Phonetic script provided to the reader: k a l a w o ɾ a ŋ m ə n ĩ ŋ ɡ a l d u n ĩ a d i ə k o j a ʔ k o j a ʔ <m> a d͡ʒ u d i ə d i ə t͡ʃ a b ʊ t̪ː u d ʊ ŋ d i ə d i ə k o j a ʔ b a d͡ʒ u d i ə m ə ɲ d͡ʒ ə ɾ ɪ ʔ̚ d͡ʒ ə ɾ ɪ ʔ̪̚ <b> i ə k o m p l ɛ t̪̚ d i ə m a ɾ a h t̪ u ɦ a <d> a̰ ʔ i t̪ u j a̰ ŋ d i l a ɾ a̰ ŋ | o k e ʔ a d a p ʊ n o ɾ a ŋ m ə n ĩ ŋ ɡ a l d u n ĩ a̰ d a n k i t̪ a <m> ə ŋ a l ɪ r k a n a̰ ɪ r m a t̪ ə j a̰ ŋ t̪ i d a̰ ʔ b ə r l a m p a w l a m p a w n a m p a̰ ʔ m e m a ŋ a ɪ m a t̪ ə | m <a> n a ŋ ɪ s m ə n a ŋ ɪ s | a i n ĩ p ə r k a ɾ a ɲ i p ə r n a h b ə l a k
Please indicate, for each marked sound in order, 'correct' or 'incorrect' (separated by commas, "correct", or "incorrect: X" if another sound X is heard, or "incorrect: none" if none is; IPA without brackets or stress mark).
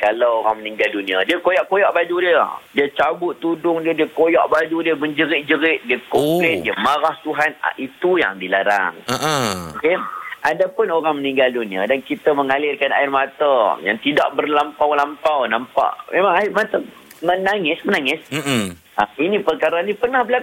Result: incorrect: b, incorrect: d, incorrect: n, correct, incorrect: ə